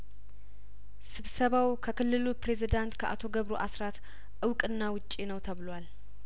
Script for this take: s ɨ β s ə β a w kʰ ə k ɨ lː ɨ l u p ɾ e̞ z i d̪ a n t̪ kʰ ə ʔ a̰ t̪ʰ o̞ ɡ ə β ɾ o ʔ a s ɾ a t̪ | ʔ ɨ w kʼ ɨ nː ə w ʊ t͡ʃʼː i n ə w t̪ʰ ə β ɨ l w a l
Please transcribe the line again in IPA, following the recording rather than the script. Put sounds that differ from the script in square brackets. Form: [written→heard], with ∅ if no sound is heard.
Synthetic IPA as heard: s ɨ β s ə β a w kʰ ə k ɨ lː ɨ l u p ɾ e̞ z i d̪ a n t̪ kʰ ə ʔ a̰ t̪ʰ o̞ ɡ ə β ɾ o ʔ a s ɾ a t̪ | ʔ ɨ w kʼ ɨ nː [ə→a] w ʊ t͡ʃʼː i n ə w t̪ʰ ə β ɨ l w a l